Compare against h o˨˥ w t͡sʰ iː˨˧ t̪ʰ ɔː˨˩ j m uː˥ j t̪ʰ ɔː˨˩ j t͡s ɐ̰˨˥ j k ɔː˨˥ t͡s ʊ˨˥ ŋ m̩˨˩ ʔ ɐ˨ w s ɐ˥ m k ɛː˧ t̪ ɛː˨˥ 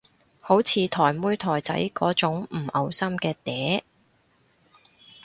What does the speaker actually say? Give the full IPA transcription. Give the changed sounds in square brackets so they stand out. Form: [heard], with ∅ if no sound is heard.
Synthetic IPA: h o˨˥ w t͡sʰ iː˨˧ t̪ʰ ɔː˨˩ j m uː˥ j t̪ʰ ɔː˨˩ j t͡s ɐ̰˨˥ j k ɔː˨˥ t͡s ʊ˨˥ ŋ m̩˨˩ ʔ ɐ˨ w s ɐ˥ m k ɛː˧ t̪ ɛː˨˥